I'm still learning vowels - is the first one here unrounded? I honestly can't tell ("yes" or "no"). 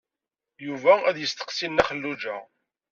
no